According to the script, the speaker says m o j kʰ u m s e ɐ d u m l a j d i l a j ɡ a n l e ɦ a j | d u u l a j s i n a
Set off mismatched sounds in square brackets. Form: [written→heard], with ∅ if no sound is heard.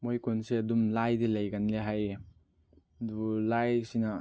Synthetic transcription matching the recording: m o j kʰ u [m→n] s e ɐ d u m l a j d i l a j ɡ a n l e ɦ a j | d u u l a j s i n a